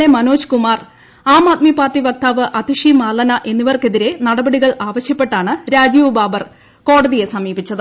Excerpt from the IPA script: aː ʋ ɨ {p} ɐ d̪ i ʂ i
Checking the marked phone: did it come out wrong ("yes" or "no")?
yes